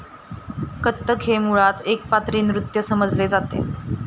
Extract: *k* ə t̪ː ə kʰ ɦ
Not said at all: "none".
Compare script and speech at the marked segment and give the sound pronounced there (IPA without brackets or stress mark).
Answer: k